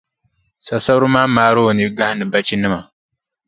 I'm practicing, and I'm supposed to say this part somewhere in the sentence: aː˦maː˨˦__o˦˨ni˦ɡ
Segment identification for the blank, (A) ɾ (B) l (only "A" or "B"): A